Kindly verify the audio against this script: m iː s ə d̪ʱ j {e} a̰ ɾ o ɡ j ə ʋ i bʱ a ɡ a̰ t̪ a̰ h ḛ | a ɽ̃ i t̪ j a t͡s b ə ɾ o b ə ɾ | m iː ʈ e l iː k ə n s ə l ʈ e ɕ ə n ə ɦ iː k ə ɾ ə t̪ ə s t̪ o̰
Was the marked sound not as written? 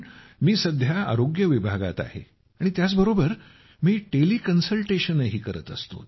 yes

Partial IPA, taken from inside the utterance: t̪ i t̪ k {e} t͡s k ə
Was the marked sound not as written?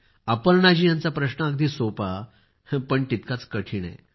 yes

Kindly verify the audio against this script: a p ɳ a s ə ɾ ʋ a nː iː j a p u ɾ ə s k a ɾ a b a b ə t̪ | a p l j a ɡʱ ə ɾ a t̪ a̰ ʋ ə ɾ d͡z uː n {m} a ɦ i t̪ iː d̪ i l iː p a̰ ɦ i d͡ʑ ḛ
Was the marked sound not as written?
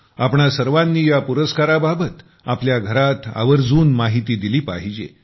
no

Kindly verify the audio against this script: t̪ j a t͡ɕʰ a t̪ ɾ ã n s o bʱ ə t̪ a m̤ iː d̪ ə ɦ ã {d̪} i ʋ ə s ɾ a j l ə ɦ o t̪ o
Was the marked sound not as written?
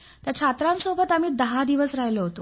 no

